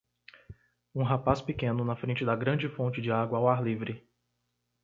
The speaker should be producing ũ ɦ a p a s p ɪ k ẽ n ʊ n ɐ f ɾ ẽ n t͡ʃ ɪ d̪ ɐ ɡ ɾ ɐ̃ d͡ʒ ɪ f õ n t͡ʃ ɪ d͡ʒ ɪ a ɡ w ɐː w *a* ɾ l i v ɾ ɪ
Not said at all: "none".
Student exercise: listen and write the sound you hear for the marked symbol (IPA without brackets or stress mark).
a